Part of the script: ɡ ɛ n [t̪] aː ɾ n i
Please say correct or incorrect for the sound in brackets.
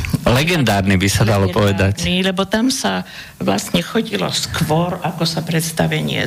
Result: incorrect